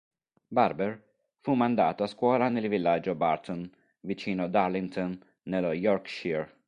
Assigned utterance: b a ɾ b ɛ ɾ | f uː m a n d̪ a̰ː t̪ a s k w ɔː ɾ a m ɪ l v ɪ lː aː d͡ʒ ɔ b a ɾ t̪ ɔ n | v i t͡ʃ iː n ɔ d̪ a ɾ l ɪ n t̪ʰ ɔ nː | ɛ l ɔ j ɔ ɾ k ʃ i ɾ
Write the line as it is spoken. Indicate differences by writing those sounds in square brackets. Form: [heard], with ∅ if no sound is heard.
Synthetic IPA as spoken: b a ɾ b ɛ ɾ | f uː m a n d̪ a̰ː t̪ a s k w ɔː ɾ a [n] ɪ l v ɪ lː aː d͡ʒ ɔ b a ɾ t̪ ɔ n | v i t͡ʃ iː n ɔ d̪ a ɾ l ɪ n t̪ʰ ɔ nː | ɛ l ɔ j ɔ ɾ k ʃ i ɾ

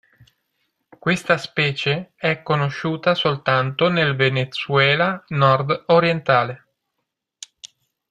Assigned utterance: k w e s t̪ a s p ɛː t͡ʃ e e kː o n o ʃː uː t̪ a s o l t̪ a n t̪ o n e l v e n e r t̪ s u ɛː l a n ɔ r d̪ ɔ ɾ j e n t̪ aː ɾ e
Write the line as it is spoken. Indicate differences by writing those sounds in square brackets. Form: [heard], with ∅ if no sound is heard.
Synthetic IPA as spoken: k w e s t̪ a s p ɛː t͡ʃ e [ɛ] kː o n o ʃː uː t̪ a s o l t̪ a n t̪ o n e l v e n e [∅] t̪ s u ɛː l a n ɔ r d̪ [o] ɾ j e n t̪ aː [l] e

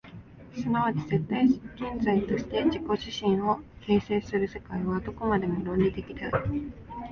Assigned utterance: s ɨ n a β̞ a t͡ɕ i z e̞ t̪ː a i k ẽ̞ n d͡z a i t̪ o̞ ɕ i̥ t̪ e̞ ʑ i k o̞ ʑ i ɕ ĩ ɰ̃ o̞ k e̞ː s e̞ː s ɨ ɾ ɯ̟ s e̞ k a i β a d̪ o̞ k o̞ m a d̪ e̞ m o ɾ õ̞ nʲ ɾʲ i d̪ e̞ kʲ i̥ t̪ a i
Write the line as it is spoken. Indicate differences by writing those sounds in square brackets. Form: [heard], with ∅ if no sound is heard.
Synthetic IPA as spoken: s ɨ n a β̞ a t͡ɕ i z e̞ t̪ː a i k ẽ̞ n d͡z a i t̪ o̞ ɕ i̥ t̪ e̞ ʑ i k o̞ ʑ i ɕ ĩ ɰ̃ o̞ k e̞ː s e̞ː s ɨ ɾ ɯ̟ s e̞ k a i β a d̪ o̞ k o̞ m a d̪ e̞ m o ɾ õ̞ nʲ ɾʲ i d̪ e̞ kʲ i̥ t̪ a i

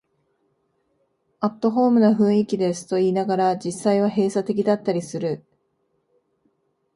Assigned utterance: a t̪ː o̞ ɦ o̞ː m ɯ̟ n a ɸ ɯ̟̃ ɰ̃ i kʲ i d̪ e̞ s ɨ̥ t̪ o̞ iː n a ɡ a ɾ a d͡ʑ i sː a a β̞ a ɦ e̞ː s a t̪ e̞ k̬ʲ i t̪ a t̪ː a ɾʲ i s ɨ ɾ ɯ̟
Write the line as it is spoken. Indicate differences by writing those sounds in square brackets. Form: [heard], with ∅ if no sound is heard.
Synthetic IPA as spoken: a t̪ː o̞ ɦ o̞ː m ɯ̟ n a ɸ ɯ̟̃ ɰ̃ i kʲ i d̪ e̞ s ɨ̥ t̪ o̞ iː n a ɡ a ɾ a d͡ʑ i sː a [i] β̞ a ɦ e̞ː s a t̪ e̞ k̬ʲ i [d̪] a t̪ː a ɾʲ i s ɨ ɾ ɯ̟

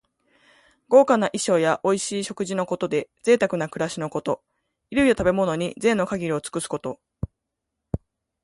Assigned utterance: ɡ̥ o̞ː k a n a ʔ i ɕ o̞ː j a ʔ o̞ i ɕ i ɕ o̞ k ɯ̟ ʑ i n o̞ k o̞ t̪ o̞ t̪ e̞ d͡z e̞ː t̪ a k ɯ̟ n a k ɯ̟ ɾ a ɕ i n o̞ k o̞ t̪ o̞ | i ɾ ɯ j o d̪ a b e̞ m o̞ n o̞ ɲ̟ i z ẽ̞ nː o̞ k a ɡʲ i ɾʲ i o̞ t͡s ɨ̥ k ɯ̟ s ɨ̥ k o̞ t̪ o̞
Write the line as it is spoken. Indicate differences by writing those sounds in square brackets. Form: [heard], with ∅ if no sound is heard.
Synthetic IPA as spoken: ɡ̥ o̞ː k a n a ʔ i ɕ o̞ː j a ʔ o̞ i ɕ [iː] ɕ o̞ k ɯ̟ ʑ i n o̞ k o̞ t̪ o̞ [d̪] e̞ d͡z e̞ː t̪ a k ɯ̟ n a k ɯ̟ ɾ a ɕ i n o̞ k o̞ t̪ o̞ | i ɾ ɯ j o [t̪] a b e̞ m o̞ n o̞ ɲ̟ i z ẽ̞ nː o̞ k a ɡʲ i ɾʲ i o̞ t͡s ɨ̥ k ɯ̟ s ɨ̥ k o̞ t̪ o̞

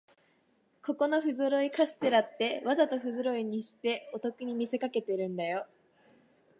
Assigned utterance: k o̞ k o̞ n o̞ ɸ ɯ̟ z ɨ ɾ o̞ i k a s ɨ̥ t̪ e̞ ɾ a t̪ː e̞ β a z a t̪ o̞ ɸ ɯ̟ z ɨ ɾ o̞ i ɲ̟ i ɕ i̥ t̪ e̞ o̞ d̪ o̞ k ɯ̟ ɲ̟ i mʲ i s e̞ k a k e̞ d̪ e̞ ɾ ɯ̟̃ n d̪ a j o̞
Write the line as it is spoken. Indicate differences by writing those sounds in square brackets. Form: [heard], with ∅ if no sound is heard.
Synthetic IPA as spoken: k o̞ k o̞ n o̞ ɸ ɯ̟ z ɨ ɾ o̞ i k a s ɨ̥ t̪ e̞ ɾ a t̪ː e̞ β a z a t̪ o̞ ɸ ɯ̟ z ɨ ɾ o̞ i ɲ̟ i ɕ i̥ t̪ e̞ o̞ [t̪] o̞ k ɯ̟ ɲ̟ i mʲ i s e̞ k a k e̞ [t̪] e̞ ɾ ɯ̟̃ n d̪ a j o̞

